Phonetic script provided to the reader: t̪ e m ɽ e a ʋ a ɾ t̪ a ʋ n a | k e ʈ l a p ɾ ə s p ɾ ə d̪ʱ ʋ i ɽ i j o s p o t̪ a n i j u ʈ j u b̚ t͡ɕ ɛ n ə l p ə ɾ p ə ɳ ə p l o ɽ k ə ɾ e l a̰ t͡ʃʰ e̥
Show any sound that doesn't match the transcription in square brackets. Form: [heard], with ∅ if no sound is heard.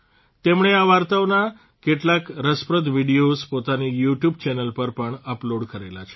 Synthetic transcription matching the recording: t̪ e m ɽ e a ʋ a ɾ t̪ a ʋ n a | k e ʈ l a [k] ɾ ə s p ɾ ə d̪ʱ ʋ i ɽ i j o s p o t̪ a n i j u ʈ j u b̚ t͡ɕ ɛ n ə l p ə ɾ p ə ɳ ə p l o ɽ k ə ɾ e l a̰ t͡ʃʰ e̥